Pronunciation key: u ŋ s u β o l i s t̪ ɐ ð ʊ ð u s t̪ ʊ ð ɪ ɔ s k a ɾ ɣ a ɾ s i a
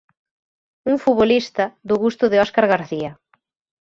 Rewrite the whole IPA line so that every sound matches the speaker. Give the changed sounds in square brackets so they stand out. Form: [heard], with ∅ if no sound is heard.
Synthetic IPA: u ŋ [f] u β o l i s t̪ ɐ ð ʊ [ɣ] u s t̪ ʊ ð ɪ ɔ s k a ɾ ɣ a ɾ [θ] i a